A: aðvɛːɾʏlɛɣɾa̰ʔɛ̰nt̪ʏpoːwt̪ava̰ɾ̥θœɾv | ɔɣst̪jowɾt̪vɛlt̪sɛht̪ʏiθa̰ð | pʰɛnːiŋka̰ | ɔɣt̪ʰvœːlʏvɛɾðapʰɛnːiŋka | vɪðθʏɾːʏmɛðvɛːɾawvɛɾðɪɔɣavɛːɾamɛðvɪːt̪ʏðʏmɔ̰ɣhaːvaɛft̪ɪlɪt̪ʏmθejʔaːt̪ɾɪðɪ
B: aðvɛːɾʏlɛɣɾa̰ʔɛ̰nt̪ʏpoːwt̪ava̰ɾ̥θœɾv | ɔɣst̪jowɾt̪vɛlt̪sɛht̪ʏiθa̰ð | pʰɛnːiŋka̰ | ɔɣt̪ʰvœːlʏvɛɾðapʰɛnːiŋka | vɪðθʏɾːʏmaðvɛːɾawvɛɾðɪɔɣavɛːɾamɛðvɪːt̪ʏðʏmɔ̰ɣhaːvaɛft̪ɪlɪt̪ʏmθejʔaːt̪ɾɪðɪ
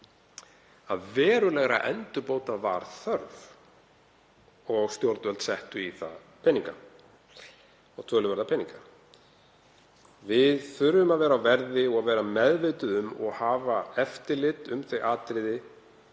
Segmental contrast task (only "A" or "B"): B